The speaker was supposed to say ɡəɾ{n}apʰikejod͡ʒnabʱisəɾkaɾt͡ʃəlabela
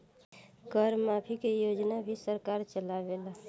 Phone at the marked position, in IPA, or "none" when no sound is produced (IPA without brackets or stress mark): m